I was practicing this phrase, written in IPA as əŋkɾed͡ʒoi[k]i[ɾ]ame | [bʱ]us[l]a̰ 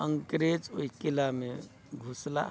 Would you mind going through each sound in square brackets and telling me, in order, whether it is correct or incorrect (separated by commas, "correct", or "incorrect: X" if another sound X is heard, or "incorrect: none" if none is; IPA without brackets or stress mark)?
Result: correct, incorrect: l, incorrect: ɡʱ, correct